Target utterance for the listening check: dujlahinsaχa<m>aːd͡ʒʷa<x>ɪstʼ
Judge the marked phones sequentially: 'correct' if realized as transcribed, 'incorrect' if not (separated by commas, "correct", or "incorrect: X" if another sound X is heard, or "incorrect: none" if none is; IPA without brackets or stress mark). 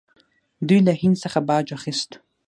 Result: incorrect: b, incorrect: χ